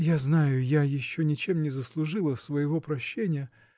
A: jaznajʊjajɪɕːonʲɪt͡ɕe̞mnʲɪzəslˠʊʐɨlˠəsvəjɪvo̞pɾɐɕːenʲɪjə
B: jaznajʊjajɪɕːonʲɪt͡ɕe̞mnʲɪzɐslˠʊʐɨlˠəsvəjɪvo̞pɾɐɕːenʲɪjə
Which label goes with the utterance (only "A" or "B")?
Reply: A